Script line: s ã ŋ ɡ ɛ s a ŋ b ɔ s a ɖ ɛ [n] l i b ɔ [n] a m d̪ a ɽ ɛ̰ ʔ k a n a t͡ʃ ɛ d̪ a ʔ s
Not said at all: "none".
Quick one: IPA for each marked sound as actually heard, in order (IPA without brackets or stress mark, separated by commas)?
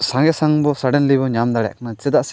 n, ɲ